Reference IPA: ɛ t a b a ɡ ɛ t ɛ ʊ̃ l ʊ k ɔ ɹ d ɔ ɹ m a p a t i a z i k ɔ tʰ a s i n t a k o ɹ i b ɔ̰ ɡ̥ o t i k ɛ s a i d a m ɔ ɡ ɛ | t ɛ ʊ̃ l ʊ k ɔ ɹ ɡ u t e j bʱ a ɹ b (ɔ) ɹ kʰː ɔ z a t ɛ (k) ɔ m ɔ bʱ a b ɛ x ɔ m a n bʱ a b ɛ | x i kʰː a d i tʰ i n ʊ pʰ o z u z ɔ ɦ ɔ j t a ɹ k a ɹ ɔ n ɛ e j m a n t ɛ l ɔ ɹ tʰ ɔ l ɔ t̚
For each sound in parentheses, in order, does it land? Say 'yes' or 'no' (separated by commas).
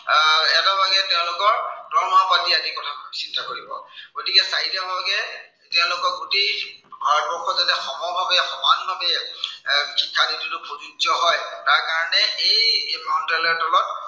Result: yes, no